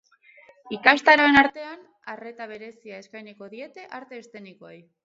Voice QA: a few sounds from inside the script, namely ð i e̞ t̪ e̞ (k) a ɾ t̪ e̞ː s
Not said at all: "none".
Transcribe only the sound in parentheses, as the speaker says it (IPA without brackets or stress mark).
ʔ